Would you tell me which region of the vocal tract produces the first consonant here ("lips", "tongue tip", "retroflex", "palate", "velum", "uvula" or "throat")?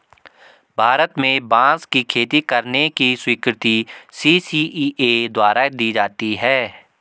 lips